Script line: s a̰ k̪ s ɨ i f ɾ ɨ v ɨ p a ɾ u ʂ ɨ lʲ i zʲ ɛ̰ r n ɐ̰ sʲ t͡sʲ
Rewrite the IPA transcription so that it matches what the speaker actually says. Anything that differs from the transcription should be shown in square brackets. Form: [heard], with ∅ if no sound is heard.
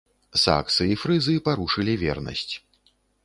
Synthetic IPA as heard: s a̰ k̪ s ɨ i f ɾ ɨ [z] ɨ p a ɾ u ʂ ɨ lʲ i [vʲ] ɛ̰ r n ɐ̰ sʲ t͡sʲ